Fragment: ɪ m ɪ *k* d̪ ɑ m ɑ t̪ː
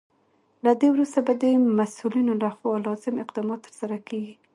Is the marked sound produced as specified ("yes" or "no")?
no